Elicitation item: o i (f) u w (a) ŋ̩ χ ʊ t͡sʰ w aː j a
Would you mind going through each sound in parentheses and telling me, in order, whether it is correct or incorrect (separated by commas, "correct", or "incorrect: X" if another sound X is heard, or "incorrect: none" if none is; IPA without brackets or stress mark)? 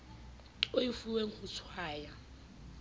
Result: correct, incorrect: e